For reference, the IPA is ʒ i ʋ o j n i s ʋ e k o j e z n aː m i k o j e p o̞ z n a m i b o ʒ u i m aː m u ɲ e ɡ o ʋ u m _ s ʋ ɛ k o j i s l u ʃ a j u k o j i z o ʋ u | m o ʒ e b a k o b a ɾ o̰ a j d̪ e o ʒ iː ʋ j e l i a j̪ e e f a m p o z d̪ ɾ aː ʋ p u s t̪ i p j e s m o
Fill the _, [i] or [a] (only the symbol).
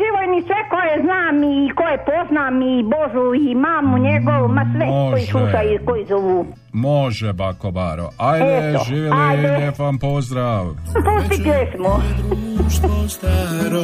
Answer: a